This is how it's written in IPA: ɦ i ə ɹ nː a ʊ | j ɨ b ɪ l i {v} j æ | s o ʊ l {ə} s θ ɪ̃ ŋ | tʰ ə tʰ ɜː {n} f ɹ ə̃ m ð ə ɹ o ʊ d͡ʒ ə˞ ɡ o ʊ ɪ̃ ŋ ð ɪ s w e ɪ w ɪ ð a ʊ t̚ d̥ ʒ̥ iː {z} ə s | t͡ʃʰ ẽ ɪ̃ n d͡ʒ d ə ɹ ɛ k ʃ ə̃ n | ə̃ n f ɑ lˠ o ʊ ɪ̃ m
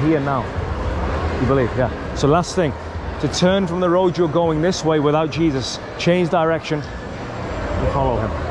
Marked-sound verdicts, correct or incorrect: correct, incorrect: a, correct, correct

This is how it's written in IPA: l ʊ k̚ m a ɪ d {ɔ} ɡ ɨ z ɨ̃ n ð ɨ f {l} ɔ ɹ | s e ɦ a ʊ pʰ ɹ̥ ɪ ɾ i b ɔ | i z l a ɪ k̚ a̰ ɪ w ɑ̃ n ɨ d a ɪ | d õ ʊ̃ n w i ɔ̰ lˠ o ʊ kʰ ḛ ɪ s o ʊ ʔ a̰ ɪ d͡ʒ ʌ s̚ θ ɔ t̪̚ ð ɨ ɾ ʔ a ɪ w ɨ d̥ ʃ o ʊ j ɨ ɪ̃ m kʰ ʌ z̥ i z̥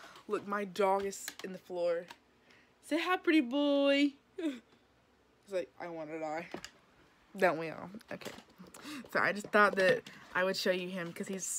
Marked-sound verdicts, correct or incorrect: correct, correct

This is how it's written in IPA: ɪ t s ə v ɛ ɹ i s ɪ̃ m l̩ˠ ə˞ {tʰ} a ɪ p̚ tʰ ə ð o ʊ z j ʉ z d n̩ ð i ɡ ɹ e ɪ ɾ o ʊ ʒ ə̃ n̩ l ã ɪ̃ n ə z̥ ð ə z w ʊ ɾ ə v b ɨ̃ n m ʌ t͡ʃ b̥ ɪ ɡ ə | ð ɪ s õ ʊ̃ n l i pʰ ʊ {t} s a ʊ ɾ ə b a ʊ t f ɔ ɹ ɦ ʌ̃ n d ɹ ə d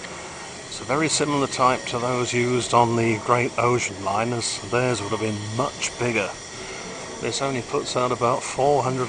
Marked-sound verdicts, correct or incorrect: correct, correct

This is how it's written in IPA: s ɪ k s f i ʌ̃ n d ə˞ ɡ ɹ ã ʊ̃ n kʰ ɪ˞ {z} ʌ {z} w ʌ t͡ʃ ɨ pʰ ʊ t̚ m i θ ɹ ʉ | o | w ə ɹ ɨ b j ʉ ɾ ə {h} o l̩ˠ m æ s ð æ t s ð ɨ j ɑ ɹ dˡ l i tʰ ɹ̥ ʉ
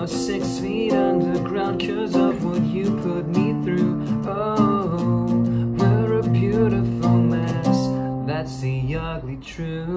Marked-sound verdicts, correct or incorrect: correct, incorrect: v, incorrect: f

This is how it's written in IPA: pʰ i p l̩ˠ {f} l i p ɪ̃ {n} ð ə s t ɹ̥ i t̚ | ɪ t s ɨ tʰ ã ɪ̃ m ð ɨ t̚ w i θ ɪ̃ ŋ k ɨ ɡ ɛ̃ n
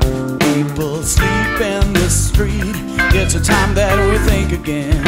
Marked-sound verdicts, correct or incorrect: incorrect: s, correct

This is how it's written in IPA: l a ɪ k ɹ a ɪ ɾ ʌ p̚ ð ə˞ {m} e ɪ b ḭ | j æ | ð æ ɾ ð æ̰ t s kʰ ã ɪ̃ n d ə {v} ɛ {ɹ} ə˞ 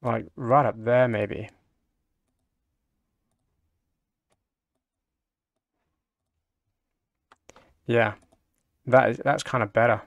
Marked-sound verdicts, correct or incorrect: correct, incorrect: b, incorrect: ɾ

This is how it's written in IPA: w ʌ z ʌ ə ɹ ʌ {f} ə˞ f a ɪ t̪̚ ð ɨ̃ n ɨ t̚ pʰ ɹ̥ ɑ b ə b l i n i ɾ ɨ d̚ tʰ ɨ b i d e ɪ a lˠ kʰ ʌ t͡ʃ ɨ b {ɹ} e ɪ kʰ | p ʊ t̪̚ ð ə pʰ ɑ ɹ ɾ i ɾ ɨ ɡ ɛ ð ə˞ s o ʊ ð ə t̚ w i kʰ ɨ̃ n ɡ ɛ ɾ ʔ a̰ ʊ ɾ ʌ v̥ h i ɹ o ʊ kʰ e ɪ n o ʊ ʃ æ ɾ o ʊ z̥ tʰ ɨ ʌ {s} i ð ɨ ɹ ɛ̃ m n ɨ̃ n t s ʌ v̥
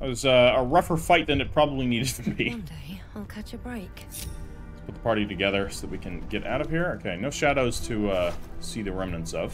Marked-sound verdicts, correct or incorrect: correct, correct, correct

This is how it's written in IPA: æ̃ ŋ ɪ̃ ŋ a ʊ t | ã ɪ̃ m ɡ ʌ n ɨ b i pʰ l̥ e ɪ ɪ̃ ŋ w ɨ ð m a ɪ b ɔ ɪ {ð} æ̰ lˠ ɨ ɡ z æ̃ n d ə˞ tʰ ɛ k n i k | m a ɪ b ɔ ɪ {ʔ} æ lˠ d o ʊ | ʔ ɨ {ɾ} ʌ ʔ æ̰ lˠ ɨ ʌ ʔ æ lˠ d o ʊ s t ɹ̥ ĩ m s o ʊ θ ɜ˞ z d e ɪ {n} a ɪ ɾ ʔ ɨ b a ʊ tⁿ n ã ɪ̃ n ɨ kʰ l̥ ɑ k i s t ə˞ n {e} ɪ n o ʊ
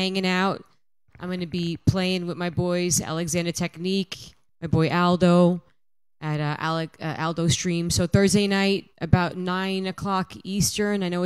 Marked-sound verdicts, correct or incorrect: incorrect: z, correct, correct, correct, incorrect: a

